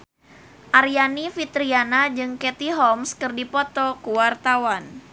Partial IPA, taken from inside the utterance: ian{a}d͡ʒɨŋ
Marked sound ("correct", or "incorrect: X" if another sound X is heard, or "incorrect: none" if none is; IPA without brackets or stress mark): correct